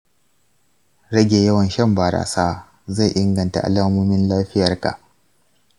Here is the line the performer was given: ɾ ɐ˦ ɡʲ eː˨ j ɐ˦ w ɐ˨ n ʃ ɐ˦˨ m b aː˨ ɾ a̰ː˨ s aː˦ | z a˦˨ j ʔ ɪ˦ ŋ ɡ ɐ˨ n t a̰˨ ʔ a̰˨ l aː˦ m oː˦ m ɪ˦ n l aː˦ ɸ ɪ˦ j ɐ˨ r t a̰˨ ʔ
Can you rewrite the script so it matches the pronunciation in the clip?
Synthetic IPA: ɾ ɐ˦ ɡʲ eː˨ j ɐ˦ w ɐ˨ n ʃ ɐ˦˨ m b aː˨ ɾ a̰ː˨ s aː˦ | z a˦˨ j ʔ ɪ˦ ŋ ɡ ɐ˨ n t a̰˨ ʔ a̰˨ l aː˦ m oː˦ m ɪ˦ n l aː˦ ɸ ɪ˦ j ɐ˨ r k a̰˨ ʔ